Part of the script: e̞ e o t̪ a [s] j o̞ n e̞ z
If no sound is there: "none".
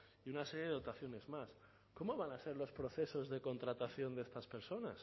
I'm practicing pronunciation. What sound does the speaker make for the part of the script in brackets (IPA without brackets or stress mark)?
θ